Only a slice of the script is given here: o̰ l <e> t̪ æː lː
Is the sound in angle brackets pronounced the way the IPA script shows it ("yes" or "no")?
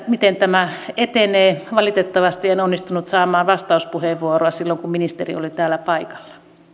no